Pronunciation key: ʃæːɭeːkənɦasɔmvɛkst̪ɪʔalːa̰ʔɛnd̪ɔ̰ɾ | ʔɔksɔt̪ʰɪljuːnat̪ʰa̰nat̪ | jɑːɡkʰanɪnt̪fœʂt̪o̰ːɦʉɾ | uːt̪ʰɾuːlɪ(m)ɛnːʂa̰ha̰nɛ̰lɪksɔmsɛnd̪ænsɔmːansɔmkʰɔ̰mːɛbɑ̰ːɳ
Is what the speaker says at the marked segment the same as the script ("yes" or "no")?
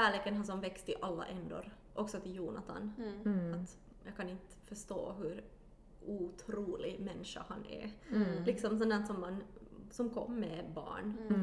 yes